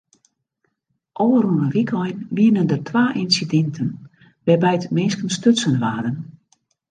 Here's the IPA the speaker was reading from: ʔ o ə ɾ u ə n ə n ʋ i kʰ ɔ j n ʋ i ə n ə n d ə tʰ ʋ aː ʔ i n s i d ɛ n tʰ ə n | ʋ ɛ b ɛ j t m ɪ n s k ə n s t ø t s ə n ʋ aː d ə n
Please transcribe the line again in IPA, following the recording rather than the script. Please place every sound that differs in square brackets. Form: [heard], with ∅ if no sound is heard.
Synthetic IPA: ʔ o ə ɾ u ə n ə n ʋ i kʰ ɔ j n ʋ i ə n ə n d ə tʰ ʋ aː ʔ i n s i d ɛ n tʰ ə n | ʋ ɛ b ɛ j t m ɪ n s k ə n s t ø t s ə n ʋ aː d ə n